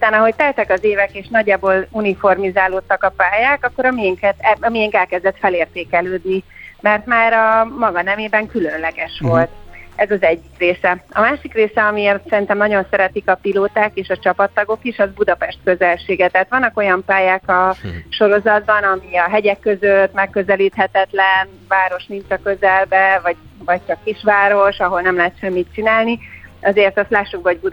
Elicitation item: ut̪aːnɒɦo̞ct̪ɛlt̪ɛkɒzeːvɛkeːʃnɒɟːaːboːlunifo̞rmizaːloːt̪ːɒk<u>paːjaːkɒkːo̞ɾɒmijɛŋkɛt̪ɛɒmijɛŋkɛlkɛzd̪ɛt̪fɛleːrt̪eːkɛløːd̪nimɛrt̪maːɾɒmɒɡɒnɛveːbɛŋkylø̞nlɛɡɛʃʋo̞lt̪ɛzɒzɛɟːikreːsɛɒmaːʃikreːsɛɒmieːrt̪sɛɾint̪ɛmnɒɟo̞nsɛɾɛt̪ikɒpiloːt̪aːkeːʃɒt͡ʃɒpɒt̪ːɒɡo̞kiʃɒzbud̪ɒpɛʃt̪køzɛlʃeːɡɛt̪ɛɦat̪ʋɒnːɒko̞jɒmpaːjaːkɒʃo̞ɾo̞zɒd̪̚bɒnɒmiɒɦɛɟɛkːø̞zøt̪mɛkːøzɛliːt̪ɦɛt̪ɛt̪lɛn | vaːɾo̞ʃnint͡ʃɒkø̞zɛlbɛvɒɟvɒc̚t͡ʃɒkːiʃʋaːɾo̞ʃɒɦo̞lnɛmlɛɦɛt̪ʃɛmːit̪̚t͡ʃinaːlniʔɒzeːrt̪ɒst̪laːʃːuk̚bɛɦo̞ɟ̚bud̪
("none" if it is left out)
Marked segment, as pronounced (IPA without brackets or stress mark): ɒ